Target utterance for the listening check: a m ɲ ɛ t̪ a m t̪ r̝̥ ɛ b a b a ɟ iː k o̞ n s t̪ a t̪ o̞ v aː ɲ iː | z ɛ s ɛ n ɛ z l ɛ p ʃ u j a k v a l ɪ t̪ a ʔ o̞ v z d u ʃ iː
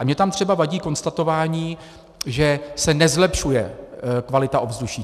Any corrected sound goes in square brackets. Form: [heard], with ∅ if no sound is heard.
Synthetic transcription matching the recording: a m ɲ ɛ t̪ a m t̪ r̝̥ ɛ b a [v] a ɟ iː k o̞ n s t̪ a t̪ o̞ v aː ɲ iː | [ʒ] ɛ s ɛ n ɛ z l ɛ p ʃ u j [ɛ] k v a l ɪ t̪ a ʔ o̞ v z d u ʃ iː